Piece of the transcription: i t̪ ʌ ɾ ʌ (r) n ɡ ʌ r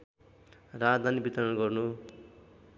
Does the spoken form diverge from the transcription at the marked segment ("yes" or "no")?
yes